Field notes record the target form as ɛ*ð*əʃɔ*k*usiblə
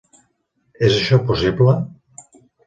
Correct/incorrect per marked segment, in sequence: incorrect: z, incorrect: p

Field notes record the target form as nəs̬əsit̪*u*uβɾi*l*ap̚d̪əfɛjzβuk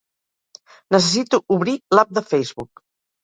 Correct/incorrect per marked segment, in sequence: correct, correct

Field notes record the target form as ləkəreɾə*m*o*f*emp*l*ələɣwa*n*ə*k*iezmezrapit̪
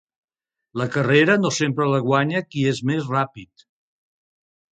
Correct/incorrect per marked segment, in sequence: incorrect: n, incorrect: s, incorrect: ɾ, incorrect: ɲ, correct

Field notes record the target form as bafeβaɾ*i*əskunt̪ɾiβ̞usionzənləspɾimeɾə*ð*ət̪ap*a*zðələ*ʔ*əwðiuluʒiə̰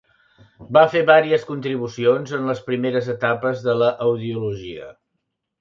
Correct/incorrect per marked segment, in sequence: correct, incorrect: z, incorrect: ə, correct

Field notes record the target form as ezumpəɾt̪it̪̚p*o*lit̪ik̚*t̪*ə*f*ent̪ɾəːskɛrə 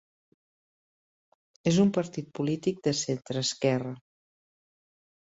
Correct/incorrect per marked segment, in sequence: incorrect: u, incorrect: d̪, incorrect: s

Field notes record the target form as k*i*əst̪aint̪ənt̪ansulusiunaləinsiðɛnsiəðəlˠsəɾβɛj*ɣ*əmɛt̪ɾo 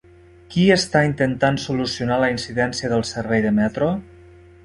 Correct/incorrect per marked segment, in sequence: correct, incorrect: ð

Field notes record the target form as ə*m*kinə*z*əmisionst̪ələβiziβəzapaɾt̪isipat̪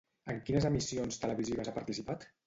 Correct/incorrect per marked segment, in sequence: incorrect: ŋ, correct

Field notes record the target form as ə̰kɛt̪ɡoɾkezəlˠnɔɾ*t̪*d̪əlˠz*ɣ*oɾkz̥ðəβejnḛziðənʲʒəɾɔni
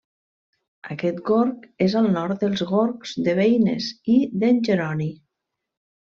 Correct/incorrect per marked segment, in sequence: correct, correct

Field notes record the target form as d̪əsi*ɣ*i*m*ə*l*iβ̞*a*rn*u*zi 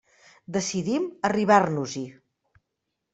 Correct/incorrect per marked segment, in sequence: incorrect: ð, correct, incorrect: r, correct, correct

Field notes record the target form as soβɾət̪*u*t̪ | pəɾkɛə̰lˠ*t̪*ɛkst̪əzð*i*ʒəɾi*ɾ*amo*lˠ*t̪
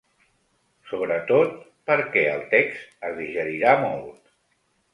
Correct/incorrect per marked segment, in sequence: incorrect: o, correct, correct, correct, correct

